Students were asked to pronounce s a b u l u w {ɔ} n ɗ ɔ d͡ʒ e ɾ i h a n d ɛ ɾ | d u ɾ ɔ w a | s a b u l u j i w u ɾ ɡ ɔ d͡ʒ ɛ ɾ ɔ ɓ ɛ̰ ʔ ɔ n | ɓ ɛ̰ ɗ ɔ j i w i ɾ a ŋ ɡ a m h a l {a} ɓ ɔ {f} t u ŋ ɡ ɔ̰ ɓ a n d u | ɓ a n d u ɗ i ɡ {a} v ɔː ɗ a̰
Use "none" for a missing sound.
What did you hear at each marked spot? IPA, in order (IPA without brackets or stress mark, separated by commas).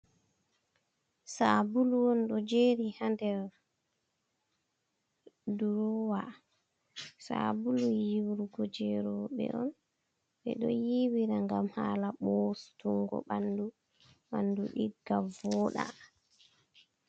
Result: ɔ, a, s, a